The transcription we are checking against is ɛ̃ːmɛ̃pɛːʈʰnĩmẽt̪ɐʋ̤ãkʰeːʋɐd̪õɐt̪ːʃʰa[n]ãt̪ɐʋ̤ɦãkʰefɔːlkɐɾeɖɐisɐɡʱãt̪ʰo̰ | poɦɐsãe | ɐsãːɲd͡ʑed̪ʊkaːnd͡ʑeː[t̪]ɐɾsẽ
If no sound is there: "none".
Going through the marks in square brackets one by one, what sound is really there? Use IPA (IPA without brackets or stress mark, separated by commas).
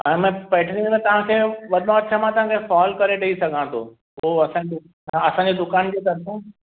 m, t̪